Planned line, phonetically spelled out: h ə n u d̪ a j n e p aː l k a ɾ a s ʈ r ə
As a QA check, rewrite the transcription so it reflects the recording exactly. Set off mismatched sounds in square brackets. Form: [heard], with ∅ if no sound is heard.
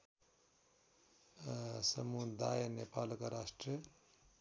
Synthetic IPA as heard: [s] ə [m] u d̪ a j n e p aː l k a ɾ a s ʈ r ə

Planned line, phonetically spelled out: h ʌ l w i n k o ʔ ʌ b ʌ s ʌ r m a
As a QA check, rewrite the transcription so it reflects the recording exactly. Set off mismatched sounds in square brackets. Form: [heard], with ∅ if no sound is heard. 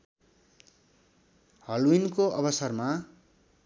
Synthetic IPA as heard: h ʌ l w i n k o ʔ ʌ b ʌ s ʌ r m a

